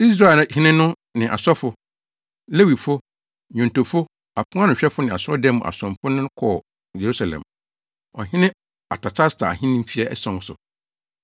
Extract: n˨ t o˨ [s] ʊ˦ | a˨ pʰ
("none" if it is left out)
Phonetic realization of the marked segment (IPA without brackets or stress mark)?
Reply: f